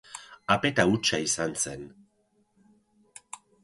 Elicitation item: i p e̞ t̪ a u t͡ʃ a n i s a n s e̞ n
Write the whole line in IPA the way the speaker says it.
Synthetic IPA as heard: a p e̞ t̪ a u t͡ʃ a i s a n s e̞ n